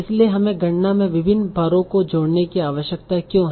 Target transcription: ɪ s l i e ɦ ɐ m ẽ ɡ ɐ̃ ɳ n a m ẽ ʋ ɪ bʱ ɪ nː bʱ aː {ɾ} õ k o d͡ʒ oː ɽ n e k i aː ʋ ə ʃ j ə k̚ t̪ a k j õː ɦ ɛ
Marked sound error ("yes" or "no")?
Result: no